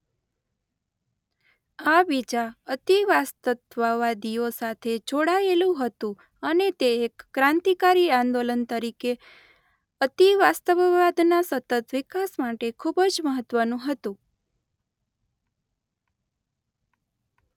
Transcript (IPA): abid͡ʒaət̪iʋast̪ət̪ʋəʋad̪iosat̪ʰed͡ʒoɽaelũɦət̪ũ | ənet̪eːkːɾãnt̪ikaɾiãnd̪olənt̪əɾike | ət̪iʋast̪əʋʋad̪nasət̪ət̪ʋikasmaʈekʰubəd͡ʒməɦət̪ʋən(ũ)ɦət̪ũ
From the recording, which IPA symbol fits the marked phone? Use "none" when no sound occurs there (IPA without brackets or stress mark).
ũ